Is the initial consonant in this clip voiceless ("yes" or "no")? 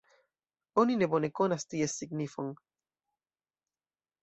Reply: no